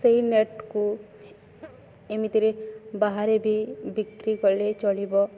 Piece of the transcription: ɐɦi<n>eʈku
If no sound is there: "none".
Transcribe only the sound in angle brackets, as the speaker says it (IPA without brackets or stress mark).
n